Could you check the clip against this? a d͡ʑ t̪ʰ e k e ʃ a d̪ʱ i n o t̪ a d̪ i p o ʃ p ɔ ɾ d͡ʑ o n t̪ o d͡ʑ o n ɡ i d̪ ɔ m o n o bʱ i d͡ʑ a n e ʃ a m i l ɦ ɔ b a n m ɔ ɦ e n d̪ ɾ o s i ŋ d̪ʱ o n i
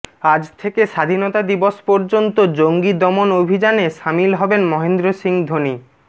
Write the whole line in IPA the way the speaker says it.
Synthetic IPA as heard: a d͡ʑ t̪ʰ e k e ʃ a d̪ʱ i n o t̪ a d̪ i b o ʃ p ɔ ɾ d͡ʑ o n t̪ o d͡ʑ o ŋ ɡ i d̪ ɔ m o n o bʱ i d͡ʑ a n e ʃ a m i l ɦ ɔ b e n m ɔ ɦ e n d̪ ɾ o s i ŋ d̪ʱ o n i